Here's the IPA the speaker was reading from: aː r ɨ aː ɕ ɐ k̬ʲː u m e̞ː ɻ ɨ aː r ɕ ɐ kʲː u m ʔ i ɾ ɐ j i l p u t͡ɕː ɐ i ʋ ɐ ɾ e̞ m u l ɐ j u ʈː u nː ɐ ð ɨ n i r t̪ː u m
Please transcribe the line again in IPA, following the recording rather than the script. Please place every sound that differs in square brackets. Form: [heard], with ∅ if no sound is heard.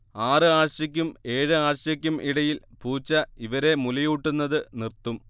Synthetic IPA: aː r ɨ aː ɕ ɐ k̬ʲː u m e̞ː ɻ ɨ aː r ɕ ɐ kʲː u m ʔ i [ɽ] ɐ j i l p [uː] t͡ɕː ɐ i ʋ ɐ ɾ e̞ m u l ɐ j u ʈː u nː ɐ ð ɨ n i r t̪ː u m